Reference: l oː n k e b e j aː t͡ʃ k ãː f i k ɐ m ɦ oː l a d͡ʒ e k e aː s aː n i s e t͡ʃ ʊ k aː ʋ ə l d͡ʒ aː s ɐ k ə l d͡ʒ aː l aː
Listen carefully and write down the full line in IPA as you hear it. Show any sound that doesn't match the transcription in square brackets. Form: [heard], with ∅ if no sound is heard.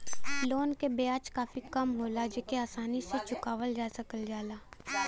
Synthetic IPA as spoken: l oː n k e b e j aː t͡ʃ k [aː] f i k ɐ m ɦ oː l a d͡ʒ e k e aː s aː n i s e t͡ʃ ʊ k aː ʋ ə l d͡ʒ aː s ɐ k ə l d͡ʒ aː l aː